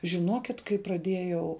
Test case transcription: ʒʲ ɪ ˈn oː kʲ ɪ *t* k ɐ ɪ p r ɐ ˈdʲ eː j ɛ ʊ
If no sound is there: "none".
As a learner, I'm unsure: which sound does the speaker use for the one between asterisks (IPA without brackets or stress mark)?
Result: t